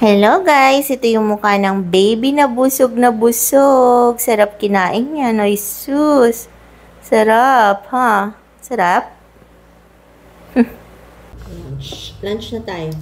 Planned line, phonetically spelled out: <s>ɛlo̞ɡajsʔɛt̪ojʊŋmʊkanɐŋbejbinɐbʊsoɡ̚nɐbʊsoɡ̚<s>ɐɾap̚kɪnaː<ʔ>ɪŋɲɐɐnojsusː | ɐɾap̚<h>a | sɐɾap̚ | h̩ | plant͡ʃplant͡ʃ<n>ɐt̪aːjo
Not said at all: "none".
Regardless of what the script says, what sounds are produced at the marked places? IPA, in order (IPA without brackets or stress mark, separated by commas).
h, s, ʔ, h, n